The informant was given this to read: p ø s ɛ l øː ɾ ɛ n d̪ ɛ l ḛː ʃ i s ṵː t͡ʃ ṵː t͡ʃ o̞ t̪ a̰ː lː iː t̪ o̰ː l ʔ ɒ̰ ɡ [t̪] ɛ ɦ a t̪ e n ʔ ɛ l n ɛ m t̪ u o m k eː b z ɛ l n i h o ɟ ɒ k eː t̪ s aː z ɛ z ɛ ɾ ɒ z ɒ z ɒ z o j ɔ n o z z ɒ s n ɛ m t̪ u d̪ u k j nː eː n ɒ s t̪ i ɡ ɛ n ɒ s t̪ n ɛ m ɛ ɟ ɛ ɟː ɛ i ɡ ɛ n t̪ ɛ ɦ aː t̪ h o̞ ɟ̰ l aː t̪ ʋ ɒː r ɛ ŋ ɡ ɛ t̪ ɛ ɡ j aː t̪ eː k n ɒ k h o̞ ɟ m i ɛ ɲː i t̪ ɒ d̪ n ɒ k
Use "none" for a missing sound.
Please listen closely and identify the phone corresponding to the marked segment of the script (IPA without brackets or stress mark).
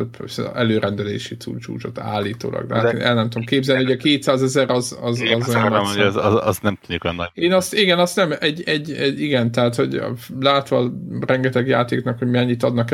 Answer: d̪